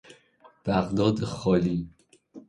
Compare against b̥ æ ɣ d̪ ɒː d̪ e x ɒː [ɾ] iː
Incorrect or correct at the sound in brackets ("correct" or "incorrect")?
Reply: incorrect